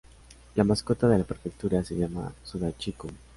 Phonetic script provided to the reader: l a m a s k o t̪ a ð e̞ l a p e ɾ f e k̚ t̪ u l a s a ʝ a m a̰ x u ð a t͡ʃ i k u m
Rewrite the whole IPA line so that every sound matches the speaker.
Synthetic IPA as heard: l a m a s k o t̪ a ð e̞ l a p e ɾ f e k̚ t̪ u ɾ a s e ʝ a m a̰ s u ð a t͡ʃ i k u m